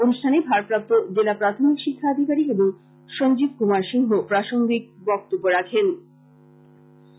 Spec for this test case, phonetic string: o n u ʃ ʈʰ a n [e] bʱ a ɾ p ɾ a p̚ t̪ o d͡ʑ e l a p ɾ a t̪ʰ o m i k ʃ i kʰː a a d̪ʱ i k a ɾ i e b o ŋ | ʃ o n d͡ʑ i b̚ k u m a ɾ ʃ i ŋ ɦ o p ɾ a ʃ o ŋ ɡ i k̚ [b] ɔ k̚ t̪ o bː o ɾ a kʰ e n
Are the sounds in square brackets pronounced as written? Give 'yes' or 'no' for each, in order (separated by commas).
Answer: yes, yes